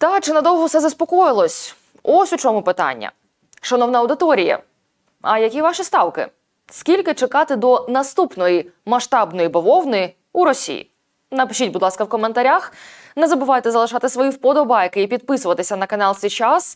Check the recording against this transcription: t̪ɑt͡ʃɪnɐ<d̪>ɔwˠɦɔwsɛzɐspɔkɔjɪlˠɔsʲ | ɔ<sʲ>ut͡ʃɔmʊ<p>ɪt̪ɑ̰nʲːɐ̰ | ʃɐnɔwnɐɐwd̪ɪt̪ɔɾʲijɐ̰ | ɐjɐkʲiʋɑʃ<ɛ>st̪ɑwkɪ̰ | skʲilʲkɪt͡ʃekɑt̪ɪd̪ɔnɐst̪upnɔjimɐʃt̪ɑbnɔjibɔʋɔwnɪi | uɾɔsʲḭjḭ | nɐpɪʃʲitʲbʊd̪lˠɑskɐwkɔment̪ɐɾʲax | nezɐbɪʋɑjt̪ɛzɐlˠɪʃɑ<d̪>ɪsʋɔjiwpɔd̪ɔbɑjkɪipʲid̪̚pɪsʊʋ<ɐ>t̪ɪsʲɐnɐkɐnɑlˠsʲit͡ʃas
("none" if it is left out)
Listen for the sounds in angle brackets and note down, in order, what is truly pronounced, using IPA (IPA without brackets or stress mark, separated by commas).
d̪, sʲ, p, i, t̪, ɐ